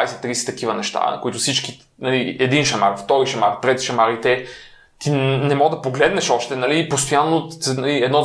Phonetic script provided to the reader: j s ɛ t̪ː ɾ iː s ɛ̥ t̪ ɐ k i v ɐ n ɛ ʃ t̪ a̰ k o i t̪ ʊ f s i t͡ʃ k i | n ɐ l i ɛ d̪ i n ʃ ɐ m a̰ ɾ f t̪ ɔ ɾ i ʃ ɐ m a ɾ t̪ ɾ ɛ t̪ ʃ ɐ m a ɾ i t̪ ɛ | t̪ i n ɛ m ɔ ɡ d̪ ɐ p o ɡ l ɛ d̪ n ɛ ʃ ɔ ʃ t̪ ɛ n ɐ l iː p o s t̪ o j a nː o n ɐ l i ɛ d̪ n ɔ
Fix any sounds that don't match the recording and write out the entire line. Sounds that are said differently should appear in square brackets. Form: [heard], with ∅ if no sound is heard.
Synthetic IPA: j s ɛ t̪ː ɾ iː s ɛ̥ t̪ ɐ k i v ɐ n ɛ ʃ t̪ a̰ k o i t̪ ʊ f s i t͡ʃ k i | n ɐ l i ɛ d̪ i n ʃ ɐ m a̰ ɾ f t̪ ɔ ɾ i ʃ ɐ m a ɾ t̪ ɾ ɛ t̪ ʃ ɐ m a ɾ i t̪ ɛ | t̪ i n ɛ m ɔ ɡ d̪ ɐ p o ɡ l ɛ d̪ n ɛ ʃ ɔ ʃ t̪ ɛ n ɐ l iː p o s t̪ o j a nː o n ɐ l i ɛ d̪ n ɔ